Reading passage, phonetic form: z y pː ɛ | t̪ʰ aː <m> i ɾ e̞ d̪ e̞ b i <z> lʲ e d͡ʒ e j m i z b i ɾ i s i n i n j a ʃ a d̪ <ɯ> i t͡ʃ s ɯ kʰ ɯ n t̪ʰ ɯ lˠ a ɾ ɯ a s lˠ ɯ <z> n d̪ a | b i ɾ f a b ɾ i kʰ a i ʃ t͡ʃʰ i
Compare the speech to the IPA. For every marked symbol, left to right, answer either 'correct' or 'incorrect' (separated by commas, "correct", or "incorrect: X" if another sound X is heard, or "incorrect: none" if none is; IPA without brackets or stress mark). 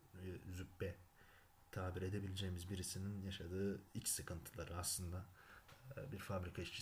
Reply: incorrect: b, incorrect: none, incorrect: ɯː, incorrect: none